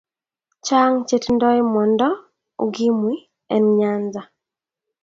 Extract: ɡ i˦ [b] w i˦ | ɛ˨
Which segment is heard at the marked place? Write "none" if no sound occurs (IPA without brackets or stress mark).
m